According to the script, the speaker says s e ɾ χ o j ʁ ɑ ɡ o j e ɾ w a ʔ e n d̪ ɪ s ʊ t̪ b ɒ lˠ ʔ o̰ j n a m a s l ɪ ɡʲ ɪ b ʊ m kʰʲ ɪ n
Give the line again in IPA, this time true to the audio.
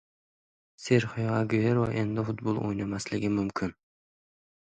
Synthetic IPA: s e ɾ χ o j ʁ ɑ ɡ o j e ɾ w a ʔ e n d̪ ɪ f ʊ t̪ b o lˠ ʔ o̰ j n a m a s l ɪ ɡʲ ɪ m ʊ m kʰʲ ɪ n